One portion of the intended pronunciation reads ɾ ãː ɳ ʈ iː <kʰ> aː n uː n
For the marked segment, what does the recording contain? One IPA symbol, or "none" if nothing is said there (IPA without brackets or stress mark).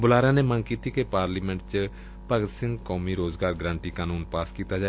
k